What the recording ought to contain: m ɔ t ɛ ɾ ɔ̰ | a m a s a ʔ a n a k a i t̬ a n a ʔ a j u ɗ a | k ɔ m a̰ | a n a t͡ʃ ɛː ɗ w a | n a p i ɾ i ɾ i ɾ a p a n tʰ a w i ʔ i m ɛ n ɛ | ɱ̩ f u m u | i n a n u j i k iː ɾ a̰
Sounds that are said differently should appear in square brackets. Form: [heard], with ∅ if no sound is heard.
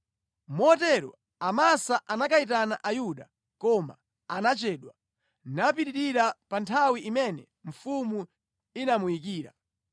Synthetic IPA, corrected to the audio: m ɔ t ɛ ɾ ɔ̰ | a m a s a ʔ a n a k a i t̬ a n a ʔ a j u ɗ a | k ɔ m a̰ | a n a t͡ʃ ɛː ɗ w a | n a p i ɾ i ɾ i ɾ a p a n tʰ a w i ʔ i m ɛ n ɛ | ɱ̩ f u m u | i n a [m] u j i k iː ɾ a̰